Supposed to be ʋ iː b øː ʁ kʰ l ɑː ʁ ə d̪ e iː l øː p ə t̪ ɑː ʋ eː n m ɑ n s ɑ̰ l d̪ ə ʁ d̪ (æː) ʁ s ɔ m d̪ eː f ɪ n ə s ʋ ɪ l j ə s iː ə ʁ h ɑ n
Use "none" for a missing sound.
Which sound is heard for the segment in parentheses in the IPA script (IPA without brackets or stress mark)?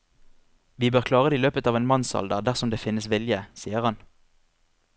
æ